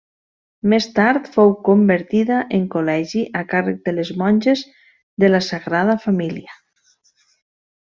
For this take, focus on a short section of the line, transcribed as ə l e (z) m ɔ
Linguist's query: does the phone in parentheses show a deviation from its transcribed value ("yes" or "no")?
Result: no